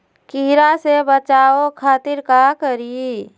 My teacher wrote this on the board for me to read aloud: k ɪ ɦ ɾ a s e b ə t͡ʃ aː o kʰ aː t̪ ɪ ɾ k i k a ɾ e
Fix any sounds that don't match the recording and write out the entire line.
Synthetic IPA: k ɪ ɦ ɾ a s e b ə t͡ʃ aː o kʰ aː t̪ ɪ ɾ k a k ə ɾ i